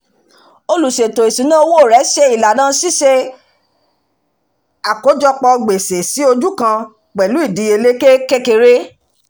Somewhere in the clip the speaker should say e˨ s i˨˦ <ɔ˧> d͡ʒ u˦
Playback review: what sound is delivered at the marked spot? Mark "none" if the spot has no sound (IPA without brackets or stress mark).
o˧